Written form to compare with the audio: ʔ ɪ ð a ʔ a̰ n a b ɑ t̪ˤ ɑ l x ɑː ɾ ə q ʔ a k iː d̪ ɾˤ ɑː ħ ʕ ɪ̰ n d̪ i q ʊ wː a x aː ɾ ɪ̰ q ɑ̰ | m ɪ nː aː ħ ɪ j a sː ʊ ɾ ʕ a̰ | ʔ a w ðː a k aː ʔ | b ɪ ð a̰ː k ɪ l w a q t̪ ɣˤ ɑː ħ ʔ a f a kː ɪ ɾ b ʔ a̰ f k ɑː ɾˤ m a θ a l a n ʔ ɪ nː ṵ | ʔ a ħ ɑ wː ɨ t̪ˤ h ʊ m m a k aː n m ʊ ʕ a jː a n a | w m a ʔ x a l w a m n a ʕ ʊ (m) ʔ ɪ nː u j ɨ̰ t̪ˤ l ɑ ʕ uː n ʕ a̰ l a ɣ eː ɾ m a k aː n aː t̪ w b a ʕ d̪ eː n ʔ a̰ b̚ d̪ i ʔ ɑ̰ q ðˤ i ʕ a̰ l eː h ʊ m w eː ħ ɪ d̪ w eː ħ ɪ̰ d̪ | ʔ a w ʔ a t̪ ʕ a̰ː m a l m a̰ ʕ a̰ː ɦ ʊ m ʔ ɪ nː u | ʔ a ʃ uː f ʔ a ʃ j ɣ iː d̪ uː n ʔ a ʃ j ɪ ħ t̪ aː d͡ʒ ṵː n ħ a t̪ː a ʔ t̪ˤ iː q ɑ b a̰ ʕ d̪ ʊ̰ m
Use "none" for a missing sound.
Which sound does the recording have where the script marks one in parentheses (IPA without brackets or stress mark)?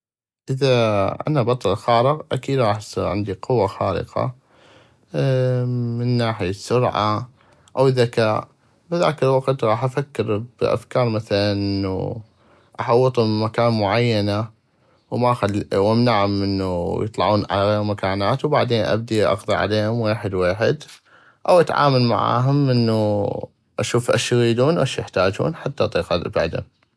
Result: m